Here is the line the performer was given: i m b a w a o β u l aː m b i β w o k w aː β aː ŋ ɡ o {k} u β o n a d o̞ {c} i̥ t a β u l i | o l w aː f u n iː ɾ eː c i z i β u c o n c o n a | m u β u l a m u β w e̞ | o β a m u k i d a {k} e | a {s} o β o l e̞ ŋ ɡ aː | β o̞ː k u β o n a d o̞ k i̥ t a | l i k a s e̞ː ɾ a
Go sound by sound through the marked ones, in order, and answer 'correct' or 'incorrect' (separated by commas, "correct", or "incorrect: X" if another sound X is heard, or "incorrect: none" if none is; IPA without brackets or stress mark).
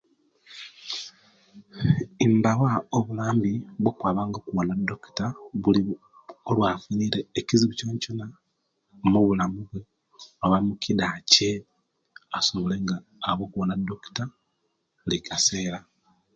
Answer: correct, incorrect: k, incorrect: c, correct